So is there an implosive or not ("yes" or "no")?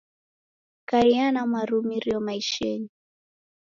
no